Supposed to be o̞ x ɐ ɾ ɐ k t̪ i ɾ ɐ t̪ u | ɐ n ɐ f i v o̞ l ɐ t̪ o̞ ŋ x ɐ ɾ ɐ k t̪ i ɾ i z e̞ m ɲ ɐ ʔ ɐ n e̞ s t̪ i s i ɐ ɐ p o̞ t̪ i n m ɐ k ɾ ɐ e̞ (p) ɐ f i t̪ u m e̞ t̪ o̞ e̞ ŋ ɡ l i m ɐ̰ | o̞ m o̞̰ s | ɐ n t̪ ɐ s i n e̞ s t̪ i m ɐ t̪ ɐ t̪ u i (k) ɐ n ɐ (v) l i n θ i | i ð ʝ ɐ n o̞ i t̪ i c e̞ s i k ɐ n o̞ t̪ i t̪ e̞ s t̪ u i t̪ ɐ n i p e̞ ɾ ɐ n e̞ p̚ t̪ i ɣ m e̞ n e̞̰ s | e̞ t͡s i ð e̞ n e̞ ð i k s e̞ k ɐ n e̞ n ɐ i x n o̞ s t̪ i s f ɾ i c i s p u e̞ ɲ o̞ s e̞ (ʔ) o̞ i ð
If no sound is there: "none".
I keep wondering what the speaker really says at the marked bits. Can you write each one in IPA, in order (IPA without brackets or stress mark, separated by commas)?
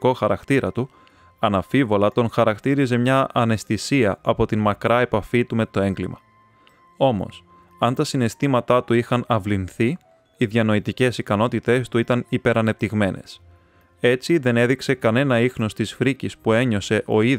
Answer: p, x, v, ʔ